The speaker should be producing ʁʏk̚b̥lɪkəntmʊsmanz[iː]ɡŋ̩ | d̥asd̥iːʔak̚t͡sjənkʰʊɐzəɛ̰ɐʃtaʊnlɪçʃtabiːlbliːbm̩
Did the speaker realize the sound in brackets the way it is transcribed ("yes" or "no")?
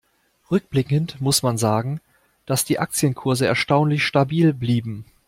no